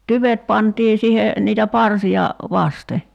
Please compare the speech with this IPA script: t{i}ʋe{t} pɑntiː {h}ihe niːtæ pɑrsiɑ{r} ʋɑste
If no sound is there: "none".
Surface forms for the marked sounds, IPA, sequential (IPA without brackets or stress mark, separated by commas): y, t, s, none